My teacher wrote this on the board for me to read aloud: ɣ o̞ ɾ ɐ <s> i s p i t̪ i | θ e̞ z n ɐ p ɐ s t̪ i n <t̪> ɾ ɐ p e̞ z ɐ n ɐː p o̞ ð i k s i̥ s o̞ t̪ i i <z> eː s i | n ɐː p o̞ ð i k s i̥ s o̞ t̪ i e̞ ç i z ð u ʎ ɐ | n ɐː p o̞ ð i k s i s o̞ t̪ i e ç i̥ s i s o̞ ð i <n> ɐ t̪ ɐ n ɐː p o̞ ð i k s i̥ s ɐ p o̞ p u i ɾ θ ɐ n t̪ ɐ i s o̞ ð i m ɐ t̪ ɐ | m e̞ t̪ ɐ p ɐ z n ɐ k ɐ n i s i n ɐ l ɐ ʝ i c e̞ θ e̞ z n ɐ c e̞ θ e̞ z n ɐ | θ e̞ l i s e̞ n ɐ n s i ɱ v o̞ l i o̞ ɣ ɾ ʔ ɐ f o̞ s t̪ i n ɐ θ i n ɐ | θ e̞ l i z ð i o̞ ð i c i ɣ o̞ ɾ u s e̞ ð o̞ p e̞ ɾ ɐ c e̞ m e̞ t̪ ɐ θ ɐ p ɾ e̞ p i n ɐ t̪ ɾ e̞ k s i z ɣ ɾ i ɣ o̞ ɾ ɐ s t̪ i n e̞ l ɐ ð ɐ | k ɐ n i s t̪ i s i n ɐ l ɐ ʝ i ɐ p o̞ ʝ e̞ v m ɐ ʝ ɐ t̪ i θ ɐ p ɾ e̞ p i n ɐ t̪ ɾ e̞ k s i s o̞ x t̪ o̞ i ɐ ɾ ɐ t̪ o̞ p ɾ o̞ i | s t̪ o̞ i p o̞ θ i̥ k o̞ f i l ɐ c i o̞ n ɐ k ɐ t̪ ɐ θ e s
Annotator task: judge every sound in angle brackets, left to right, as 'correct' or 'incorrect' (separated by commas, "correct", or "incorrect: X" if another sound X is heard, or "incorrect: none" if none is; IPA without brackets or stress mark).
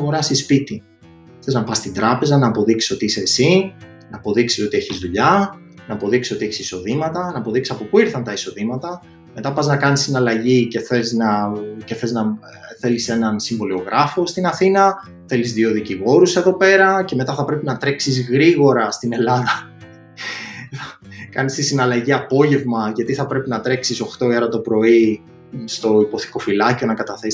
correct, incorrect: d̪, incorrect: s, incorrect: m